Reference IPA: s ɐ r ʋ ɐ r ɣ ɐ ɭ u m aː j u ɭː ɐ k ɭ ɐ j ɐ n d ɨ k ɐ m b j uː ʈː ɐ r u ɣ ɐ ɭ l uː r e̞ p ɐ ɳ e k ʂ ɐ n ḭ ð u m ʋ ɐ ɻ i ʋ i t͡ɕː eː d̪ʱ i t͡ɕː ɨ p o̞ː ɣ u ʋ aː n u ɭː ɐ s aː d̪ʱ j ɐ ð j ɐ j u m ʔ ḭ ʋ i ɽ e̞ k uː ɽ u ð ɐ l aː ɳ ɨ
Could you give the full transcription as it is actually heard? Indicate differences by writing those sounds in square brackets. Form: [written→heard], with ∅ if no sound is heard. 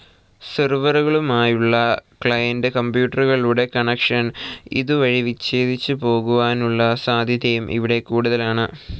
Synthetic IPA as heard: s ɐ r ʋ ɐ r ɣ ɐ ɭ u m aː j u ɭː ɐ k ɭ ɐ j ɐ n d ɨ k ɐ m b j uː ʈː ɐ r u ɣ ɐ ɭ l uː [r→ɽ] e̞ [p→k] ɐ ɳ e k ʂ ɐ n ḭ ð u [m→∅] ʋ ɐ ɻ i ʋ i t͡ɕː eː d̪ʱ i t͡ɕː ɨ p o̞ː ɣ u ʋ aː n u ɭː ɐ s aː d̪ʱ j ɐ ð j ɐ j u m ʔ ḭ ʋ i ɽ e̞ k uː ɽ u ð ɐ l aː ɳ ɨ